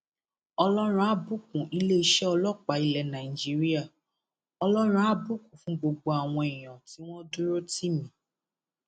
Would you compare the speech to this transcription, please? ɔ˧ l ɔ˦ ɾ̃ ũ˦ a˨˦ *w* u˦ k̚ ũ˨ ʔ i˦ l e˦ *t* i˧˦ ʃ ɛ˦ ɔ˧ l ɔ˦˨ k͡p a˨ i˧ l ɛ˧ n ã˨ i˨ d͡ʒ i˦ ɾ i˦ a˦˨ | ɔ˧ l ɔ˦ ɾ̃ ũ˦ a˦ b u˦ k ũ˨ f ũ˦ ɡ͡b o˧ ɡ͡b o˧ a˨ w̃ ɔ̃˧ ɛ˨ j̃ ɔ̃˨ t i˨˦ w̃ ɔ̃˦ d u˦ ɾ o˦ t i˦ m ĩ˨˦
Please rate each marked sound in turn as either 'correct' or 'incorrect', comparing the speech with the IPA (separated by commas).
incorrect, incorrect